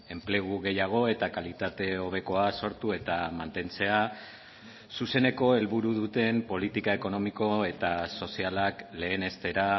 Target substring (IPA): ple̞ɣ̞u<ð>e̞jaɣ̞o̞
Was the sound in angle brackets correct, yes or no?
no